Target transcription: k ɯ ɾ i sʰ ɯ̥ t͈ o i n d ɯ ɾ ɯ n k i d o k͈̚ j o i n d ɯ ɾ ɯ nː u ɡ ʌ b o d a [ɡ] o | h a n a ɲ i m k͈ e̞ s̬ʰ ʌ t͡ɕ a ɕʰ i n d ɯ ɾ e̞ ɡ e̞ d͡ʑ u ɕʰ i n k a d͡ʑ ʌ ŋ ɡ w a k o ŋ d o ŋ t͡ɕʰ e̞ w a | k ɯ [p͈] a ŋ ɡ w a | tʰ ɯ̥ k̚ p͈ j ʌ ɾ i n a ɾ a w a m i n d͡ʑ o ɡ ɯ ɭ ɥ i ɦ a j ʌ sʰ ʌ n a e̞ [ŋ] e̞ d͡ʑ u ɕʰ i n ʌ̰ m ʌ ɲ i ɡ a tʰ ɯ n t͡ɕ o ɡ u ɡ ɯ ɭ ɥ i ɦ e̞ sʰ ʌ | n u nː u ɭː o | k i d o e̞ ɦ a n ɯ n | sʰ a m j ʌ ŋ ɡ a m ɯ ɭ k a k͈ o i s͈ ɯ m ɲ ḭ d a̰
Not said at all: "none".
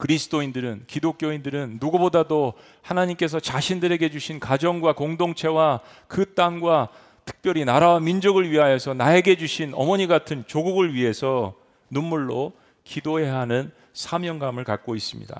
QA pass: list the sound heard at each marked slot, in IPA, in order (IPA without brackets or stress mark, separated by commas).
d, t͈, ɡ